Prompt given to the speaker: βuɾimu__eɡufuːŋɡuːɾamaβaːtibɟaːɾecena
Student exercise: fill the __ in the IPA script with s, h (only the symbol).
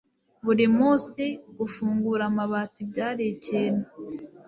s